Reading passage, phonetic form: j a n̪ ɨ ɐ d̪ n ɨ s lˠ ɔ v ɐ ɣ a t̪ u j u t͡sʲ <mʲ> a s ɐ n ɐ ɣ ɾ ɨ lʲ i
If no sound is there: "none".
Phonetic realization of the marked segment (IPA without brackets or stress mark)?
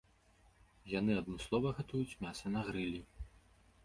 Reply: mʲ